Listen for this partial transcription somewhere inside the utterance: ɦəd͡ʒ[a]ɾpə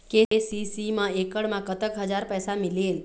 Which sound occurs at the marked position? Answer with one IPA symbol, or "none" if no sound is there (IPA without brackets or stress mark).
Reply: a